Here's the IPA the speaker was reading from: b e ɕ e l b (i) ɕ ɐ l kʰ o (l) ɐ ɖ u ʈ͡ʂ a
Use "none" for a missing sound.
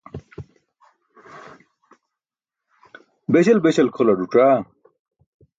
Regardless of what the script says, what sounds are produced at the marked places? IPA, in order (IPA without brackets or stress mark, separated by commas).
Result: e, l